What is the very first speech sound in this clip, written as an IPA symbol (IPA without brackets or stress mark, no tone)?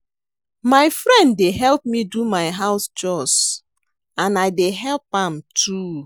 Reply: m